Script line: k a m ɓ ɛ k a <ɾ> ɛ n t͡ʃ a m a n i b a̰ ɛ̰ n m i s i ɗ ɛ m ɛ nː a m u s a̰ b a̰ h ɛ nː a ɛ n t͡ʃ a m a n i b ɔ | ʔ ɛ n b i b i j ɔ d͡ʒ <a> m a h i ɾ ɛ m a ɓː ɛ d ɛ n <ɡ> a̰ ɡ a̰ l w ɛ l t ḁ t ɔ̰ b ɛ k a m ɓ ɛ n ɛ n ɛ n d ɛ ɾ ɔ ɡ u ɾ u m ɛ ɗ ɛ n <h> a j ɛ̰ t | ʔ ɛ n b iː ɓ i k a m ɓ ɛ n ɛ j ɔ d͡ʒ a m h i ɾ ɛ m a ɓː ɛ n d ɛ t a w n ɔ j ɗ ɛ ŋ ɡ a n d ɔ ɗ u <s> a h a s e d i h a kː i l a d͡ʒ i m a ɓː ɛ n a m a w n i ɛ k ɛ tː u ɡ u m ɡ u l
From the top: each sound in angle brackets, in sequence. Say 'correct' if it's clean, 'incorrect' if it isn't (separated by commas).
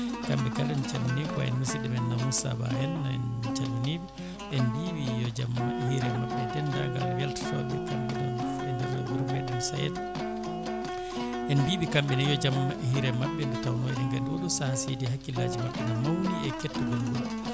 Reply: incorrect, correct, incorrect, incorrect, correct